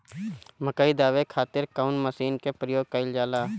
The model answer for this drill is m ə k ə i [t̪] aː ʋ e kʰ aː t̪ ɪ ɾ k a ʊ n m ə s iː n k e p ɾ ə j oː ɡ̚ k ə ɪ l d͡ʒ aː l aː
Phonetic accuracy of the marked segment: incorrect: d̪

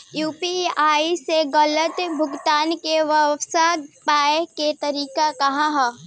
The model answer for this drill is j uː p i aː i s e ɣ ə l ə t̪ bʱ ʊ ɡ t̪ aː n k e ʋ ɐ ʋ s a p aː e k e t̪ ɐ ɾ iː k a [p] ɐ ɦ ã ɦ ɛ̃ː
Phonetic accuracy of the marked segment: incorrect: k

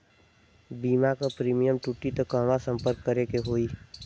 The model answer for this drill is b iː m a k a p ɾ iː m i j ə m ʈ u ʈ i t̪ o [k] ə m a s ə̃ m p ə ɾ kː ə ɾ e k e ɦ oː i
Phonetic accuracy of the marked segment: correct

